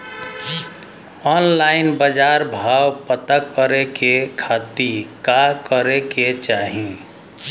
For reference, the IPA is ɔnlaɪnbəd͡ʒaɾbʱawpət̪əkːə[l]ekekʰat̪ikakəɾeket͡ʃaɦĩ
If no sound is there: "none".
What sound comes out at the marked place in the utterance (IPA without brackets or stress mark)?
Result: ɾ